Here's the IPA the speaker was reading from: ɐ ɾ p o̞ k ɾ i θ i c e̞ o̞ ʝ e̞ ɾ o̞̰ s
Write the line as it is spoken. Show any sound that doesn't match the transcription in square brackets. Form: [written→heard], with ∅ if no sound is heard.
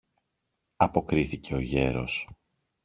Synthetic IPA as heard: ɐ [ɾ→∅] p o̞ k ɾ i θ i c e̞ o̞ ʝ e̞ ɾ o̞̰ s